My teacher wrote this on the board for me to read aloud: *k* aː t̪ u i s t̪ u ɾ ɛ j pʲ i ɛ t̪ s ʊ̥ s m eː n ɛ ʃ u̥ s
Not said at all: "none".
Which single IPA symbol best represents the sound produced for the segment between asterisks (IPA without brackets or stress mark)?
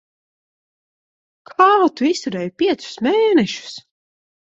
kʰ